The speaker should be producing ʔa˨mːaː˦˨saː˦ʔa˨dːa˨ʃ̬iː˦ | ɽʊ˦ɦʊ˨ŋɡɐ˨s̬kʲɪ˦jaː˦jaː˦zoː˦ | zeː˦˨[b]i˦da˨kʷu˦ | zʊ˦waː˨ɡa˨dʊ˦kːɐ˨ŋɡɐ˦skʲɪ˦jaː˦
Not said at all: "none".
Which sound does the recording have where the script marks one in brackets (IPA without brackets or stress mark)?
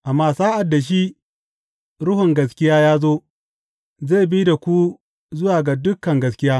b